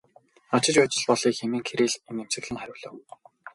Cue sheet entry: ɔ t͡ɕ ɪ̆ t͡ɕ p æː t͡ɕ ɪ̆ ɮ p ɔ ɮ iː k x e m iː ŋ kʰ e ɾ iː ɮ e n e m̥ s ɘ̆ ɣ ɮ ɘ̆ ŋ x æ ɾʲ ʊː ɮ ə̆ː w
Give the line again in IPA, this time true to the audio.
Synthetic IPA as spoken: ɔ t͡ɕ ɪ̆ t͡ɕ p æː t͡ɕ ɪ̆ ɮ p ɔ ɮ iː k x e m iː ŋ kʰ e ɾ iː ɮ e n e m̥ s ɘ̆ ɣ ɮ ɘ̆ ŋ χ æ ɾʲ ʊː ɮ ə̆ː w